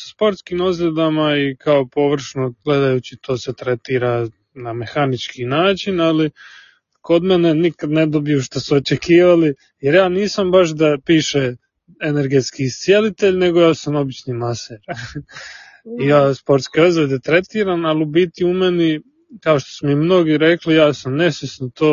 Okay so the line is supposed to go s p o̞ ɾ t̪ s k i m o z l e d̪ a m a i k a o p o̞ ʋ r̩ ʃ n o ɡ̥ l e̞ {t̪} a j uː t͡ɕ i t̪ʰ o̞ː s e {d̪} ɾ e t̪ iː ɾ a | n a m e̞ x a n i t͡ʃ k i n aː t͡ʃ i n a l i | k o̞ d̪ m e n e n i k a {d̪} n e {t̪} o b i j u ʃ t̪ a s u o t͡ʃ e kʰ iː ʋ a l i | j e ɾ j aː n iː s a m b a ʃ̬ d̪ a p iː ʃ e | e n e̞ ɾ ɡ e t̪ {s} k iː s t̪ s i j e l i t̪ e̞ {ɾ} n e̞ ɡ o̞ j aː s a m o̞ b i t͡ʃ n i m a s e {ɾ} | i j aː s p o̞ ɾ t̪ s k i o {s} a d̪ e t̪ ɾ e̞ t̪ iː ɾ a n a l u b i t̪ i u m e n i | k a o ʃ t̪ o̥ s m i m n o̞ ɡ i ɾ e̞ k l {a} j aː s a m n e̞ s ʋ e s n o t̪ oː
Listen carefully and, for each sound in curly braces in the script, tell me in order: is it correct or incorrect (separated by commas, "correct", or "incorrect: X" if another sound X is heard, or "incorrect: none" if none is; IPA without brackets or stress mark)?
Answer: incorrect: d̪, incorrect: t̪, correct, incorrect: d̪, correct, incorrect: ʎ, correct, incorrect: z, incorrect: i